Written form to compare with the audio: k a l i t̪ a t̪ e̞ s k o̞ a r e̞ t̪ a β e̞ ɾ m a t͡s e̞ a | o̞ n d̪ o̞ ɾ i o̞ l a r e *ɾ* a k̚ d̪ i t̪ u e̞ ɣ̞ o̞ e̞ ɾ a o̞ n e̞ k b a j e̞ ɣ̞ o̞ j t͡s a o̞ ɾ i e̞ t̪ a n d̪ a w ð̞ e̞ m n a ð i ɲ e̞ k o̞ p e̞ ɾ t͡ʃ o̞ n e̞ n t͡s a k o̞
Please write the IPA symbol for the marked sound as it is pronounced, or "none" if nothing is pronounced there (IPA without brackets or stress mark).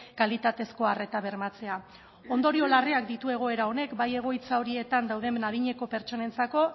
none